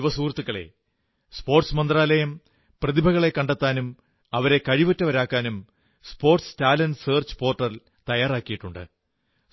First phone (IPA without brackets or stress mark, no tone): ʋ